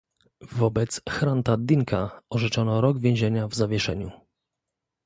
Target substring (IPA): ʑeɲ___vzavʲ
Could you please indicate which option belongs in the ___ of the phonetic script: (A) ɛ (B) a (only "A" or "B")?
B